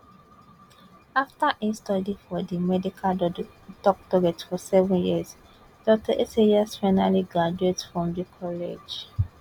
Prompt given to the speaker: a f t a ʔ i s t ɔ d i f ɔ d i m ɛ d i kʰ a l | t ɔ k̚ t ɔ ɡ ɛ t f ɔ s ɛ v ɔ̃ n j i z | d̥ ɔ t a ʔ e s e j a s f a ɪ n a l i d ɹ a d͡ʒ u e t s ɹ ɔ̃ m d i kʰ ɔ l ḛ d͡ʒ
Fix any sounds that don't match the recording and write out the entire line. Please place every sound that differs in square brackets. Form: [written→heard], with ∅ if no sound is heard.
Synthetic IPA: a f t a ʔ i s t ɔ d i f ɔ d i m ɛ d i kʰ a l | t ɔ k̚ t ɔ ɡ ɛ t f ɔ s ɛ v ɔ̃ n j i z | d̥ ɔ t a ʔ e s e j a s f a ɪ n a l i [d→ɡ] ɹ a d͡ʒ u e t [s→f] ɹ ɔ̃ m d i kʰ ɔ l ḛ d͡ʒ